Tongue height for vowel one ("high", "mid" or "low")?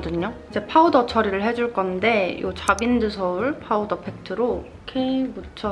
high